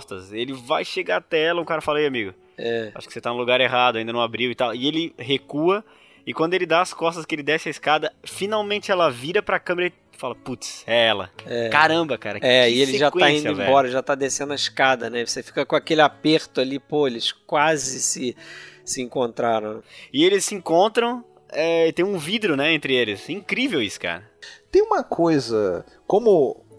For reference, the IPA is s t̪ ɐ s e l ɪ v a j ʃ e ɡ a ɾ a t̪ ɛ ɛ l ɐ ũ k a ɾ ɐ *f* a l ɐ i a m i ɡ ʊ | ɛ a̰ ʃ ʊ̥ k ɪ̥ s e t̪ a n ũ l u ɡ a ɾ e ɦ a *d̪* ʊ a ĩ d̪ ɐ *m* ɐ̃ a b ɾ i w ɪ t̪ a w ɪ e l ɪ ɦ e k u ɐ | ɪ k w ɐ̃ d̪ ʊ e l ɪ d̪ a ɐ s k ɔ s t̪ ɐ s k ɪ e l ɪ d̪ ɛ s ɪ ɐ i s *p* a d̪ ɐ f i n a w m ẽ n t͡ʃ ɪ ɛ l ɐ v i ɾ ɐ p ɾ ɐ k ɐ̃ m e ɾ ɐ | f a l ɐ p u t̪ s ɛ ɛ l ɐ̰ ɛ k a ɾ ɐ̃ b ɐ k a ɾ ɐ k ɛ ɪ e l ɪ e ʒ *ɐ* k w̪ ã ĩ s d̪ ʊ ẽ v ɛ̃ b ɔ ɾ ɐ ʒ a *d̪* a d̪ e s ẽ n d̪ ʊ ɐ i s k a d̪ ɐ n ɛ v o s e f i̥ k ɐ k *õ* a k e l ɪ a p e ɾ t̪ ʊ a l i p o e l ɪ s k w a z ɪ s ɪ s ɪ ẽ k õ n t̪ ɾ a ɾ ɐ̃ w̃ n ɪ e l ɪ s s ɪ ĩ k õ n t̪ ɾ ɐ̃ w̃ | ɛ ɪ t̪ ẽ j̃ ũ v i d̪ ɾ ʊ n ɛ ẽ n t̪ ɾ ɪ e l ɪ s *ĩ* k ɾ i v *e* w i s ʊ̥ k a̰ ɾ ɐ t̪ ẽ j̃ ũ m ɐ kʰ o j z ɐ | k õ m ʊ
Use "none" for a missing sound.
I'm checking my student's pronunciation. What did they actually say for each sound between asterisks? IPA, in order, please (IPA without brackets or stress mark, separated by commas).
f, d̪, n, k, a, t̪, õ, ĩ, e